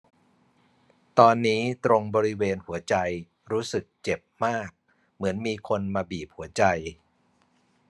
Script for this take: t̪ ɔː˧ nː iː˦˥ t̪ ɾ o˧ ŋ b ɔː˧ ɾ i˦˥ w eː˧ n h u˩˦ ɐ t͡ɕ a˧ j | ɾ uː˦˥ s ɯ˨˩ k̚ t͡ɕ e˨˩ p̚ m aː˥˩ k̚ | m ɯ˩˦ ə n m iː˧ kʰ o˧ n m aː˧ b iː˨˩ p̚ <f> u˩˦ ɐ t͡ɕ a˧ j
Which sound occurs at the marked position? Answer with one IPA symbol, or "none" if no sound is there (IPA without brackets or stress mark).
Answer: h